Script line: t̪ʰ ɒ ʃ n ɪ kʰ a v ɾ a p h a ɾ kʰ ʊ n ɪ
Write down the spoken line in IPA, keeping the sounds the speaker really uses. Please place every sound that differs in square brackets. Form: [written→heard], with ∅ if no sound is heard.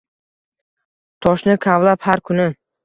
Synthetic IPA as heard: t̪ʰ ɒ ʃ n ɪ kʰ a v [ɾ→l] a p h a ɾ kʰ ʊ n ɪ